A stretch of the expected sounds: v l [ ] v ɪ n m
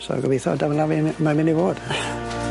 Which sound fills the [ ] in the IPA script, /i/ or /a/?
a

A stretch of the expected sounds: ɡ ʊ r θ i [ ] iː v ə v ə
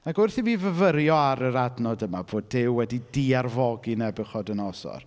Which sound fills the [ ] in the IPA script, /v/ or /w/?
v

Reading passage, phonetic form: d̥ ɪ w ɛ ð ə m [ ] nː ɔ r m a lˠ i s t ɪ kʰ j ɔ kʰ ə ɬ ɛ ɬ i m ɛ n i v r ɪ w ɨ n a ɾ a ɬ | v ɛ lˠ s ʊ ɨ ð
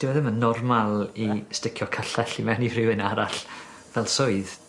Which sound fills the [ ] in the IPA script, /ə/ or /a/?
ə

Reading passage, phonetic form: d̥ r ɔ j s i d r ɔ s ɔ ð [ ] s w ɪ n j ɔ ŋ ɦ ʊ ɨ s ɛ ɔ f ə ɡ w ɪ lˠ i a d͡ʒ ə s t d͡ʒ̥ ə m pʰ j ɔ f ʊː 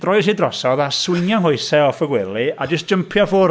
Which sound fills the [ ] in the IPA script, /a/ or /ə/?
a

